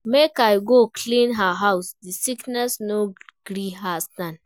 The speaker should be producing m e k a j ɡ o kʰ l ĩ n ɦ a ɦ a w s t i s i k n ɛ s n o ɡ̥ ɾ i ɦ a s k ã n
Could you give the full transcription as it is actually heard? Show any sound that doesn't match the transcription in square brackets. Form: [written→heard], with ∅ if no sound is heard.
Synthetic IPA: m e k a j ɡ o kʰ l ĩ n ɦ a ɦ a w s [t→d] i s i k n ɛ s n o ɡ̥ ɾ i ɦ a s [k→t] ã n